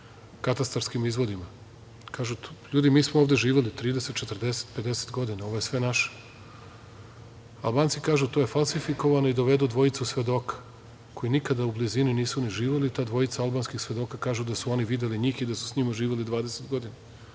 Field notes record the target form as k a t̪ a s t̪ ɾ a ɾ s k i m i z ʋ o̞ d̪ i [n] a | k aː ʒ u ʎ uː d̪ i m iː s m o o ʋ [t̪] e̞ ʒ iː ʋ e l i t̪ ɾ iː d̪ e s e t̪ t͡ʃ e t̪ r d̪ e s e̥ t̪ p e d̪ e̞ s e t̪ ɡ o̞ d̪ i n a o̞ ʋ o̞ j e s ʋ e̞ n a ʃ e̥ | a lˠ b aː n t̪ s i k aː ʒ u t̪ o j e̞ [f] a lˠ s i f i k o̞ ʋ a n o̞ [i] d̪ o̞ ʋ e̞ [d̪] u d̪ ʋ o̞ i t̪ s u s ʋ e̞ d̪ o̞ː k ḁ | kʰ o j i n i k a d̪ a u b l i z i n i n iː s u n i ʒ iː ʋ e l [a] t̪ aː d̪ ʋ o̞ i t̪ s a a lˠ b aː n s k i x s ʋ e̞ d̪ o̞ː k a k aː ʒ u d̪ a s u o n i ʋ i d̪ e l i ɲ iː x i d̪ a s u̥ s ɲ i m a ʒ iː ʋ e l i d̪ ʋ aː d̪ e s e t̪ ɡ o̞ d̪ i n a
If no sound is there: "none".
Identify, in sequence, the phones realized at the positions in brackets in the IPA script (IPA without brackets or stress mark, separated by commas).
m, d̪, f, i, d̪, i